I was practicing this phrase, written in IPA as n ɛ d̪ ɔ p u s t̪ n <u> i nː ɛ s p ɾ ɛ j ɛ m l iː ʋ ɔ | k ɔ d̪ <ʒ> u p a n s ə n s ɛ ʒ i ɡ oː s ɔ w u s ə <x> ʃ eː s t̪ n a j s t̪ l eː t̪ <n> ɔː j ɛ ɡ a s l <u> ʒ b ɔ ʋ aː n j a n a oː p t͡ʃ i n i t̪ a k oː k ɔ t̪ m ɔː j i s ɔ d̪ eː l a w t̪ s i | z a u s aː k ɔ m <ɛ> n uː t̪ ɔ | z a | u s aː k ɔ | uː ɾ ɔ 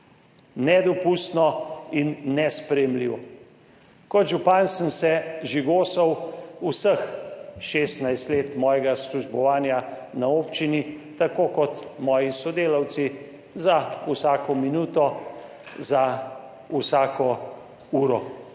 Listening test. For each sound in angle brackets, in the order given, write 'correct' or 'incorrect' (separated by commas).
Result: incorrect, correct, correct, incorrect, correct, incorrect